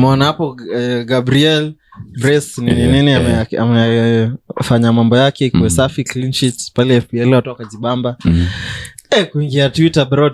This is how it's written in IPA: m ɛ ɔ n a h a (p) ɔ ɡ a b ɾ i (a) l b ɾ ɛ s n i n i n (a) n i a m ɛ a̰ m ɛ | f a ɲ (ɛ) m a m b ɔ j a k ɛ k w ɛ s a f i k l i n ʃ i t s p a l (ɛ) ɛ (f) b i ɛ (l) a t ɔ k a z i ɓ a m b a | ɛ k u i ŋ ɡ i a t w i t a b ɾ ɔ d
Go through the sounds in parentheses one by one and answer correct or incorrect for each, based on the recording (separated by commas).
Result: correct, incorrect, incorrect, incorrect, correct, correct, correct